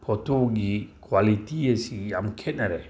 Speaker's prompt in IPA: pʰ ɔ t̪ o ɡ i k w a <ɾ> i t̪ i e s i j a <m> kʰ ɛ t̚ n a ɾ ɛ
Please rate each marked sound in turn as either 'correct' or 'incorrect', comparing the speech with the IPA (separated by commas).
incorrect, correct